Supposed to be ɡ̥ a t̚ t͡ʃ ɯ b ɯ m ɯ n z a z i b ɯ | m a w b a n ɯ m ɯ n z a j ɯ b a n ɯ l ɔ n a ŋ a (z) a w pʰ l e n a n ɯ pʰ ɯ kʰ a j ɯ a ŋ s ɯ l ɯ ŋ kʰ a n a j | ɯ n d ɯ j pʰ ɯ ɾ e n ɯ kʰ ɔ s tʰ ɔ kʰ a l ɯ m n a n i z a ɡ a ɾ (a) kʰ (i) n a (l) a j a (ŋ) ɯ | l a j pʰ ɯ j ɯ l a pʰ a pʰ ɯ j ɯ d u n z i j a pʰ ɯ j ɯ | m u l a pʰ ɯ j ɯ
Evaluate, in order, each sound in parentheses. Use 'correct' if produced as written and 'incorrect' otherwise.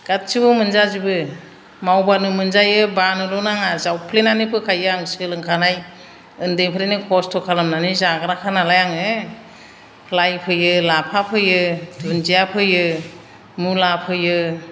correct, correct, incorrect: a, correct, correct

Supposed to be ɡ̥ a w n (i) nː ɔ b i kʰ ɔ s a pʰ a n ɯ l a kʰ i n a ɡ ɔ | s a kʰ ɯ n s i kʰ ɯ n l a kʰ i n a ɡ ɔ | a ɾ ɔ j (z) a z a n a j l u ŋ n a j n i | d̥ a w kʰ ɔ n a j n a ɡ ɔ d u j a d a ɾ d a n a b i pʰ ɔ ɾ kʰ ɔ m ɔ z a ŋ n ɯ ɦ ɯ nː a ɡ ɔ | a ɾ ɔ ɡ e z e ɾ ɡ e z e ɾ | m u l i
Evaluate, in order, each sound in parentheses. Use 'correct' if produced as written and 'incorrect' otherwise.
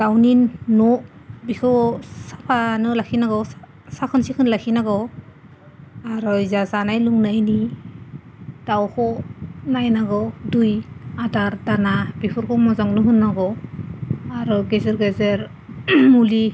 correct, correct

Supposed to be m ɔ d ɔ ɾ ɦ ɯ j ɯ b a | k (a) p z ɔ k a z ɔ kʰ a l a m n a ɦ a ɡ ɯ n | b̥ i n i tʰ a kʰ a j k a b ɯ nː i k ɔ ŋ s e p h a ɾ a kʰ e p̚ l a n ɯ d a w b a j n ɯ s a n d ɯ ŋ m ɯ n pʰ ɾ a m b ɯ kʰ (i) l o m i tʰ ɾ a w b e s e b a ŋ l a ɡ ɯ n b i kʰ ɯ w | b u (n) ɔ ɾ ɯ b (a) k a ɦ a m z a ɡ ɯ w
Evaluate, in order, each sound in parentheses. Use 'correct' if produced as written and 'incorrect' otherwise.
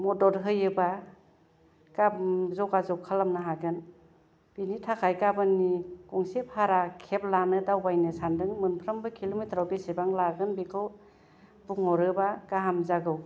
correct, correct, incorrect: ŋ, correct

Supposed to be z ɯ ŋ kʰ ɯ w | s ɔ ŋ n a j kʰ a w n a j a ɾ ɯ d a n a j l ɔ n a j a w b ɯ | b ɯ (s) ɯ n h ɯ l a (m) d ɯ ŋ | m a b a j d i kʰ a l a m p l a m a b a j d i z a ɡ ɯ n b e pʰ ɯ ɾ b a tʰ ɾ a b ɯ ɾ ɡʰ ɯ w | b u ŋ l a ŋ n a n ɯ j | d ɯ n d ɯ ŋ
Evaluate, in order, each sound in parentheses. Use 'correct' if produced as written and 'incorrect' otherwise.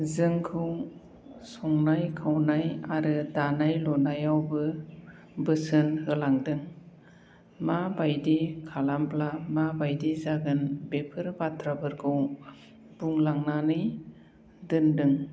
correct, incorrect: ŋ

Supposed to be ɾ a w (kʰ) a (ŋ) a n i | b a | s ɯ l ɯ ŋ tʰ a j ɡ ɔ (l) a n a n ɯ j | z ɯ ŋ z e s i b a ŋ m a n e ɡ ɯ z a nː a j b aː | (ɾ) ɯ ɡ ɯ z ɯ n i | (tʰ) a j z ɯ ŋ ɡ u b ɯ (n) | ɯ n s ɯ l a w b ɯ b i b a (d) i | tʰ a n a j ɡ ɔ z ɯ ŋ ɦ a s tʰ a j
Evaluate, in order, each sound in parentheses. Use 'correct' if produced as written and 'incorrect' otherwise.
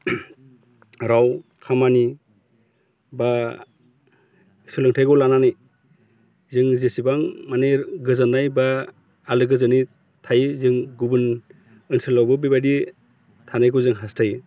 correct, incorrect: m, correct, incorrect: l, correct, correct, correct

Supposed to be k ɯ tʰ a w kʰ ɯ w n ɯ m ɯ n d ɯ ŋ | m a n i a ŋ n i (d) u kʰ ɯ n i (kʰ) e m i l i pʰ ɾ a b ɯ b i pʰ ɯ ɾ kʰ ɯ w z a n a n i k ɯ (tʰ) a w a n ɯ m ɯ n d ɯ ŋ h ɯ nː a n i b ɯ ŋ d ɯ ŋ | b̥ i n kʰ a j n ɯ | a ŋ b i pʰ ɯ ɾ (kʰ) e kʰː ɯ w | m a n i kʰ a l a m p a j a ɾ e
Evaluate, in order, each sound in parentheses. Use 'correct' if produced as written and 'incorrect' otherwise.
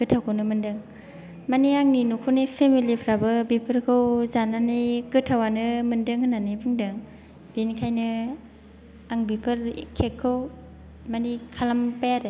incorrect: n, incorrect: pʰ, correct, correct

